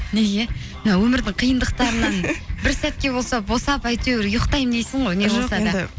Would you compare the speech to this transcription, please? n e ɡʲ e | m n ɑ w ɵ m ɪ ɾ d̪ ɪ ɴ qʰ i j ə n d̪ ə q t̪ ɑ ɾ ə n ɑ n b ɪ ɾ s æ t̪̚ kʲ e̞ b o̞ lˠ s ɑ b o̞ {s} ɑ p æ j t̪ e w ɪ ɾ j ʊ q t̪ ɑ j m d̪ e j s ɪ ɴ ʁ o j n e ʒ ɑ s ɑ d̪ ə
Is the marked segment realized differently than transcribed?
no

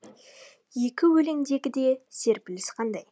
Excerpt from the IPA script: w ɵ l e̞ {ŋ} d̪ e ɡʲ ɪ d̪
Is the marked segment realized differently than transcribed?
no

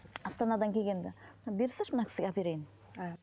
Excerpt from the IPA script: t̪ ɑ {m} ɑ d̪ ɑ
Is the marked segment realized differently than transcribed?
yes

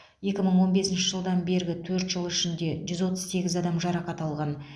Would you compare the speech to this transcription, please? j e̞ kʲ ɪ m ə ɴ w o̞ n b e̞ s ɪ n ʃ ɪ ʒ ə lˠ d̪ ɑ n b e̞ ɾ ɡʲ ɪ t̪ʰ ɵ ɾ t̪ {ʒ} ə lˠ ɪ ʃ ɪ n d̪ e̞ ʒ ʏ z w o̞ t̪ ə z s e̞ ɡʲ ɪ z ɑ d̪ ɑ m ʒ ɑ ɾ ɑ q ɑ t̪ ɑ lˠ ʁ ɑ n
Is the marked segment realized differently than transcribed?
no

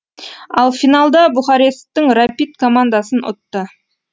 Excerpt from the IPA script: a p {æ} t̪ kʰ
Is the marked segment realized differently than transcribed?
yes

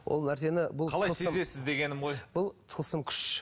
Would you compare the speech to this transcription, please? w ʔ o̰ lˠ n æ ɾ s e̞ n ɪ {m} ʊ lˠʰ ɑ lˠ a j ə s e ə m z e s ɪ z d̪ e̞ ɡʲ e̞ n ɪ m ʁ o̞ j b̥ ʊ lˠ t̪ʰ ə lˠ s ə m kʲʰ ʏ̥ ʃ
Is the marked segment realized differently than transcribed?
yes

